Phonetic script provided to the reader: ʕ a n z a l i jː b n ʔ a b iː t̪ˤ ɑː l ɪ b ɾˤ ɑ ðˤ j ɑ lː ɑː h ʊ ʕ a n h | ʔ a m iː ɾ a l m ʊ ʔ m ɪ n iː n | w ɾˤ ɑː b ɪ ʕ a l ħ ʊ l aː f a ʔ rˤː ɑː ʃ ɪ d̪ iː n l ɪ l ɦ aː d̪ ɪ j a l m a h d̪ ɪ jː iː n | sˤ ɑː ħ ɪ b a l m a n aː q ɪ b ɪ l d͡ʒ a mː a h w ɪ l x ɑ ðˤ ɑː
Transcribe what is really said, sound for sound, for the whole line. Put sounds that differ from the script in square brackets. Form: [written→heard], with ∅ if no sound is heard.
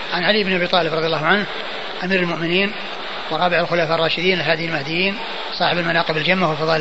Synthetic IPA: ʕ a n [z→ʕ] a l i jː b n ʔ a b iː t̪ˤ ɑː l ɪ b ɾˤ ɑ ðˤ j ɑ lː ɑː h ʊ ʕ a n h | ʔ a m iː ɾ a l m ʊ ʔ m ɪ n iː n | w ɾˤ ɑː b ɪ ʕ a l [ħ→x] ʊ l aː f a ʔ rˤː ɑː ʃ ɪ d̪ iː n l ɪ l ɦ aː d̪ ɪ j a l m a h d̪ ɪ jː iː n | sˤ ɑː ħ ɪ b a l m a n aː q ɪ b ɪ l d͡ʒ a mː a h w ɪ l [x→f] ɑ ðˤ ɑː